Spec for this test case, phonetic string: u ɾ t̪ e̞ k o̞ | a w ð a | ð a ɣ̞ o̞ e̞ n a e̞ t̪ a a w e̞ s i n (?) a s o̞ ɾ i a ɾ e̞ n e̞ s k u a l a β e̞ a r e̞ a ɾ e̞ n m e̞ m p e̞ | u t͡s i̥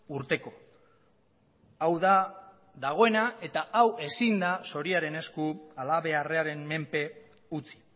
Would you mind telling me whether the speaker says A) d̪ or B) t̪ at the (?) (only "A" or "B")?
A